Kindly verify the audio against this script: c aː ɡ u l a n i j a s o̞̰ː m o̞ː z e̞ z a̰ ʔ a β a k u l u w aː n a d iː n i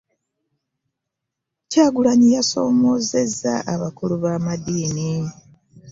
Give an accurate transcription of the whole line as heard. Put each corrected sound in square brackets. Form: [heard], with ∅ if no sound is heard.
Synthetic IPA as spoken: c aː ɡ u l a [ɲ] i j a s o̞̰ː m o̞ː z e̞ z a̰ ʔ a β a k u l u [β] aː [m] a d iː n i